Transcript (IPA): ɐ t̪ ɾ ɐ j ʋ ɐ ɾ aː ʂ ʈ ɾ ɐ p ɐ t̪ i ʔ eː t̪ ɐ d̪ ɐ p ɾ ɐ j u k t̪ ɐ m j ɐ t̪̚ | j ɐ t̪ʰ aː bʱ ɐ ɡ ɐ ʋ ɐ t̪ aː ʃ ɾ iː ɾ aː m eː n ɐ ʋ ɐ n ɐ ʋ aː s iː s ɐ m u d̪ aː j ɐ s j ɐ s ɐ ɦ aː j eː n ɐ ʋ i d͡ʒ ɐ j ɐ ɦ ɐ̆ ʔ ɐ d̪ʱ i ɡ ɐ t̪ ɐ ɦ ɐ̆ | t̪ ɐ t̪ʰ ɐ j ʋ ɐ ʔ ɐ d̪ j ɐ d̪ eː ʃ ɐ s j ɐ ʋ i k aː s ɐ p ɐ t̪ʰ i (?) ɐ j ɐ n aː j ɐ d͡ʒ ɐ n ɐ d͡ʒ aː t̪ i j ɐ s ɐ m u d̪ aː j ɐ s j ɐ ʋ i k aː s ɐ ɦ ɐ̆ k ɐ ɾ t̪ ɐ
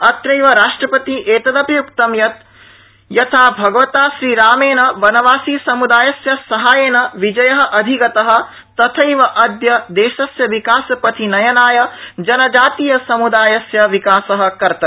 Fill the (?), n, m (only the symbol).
n